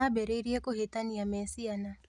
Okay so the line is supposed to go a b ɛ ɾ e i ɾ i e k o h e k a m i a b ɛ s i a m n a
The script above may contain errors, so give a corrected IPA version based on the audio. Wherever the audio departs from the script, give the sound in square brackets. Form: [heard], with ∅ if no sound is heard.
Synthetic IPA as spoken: a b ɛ ɾ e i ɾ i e k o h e [t] a [n] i a [m] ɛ s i a [∅] n a